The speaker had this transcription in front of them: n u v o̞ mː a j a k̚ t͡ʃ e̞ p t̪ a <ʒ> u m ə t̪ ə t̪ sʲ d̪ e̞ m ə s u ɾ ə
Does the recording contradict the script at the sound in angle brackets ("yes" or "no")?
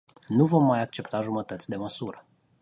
no